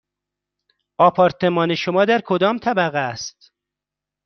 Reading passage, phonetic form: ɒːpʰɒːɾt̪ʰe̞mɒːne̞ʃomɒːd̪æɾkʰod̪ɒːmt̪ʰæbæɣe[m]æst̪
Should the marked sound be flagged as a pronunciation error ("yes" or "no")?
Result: yes